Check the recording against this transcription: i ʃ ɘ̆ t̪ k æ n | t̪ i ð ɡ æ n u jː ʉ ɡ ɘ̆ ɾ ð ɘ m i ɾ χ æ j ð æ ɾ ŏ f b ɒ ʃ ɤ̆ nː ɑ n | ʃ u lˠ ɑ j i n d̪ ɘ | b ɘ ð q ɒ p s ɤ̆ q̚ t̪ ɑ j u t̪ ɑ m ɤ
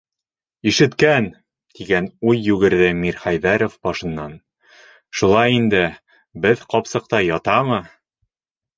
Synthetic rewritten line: i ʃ ɘ̆ t̪ k æ n | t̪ i ɡ æ n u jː ʉ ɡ ɘ̆ ɾ ð ɘ m i ɾ χ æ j ð æ ɾ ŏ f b ɒ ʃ ɤ̆ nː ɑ n | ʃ u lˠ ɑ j i n d̪ ɘ | b ɘ ð q ɒ p s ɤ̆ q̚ t̪ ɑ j ɒ t̪ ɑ m ɤ